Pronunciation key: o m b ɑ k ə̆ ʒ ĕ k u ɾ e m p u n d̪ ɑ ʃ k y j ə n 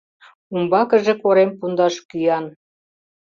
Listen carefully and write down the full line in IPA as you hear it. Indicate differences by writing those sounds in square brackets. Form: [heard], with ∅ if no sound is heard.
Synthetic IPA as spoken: [u] m b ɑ k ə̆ ʒ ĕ k [o] ɾ e m p u n d̪ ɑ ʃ k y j [ɑ] n